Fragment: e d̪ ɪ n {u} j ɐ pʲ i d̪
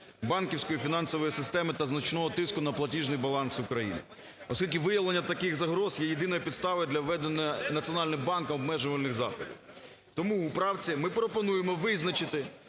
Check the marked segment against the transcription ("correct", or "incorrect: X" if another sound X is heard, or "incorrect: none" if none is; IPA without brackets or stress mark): incorrect: ɔ